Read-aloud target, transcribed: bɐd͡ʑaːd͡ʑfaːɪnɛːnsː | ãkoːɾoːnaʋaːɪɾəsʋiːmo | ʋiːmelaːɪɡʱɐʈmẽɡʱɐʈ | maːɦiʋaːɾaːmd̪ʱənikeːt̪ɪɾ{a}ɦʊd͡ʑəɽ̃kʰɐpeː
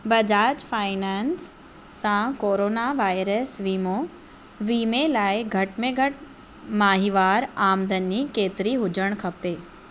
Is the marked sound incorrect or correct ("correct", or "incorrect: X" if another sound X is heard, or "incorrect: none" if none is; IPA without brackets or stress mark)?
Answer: incorrect: i